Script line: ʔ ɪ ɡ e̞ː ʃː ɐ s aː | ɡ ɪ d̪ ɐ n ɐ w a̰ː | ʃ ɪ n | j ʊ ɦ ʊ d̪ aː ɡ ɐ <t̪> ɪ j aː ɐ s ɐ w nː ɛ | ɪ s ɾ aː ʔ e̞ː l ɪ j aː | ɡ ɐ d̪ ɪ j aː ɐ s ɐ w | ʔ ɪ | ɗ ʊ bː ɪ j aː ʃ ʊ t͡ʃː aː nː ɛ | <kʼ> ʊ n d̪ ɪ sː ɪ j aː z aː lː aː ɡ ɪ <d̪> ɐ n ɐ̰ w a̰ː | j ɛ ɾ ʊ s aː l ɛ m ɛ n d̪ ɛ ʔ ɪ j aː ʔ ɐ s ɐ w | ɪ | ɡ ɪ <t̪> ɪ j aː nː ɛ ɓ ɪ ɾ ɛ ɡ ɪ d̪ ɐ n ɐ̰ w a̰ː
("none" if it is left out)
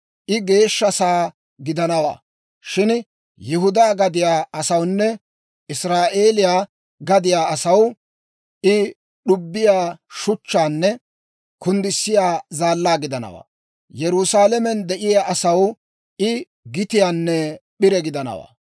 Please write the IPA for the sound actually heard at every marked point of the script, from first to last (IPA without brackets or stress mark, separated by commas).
d̪, k, d̪, t̪